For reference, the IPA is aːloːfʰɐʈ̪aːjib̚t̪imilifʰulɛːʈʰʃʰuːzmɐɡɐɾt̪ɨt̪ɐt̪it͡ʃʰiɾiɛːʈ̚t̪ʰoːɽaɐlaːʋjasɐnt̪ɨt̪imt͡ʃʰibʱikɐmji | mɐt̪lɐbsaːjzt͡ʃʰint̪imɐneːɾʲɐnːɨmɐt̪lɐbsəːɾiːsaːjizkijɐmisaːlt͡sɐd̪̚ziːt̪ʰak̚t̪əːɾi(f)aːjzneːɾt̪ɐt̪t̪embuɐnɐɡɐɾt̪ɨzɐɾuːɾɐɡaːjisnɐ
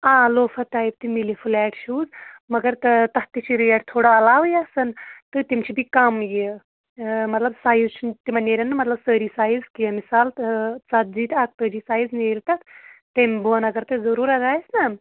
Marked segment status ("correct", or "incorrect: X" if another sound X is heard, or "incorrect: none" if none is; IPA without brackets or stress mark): incorrect: s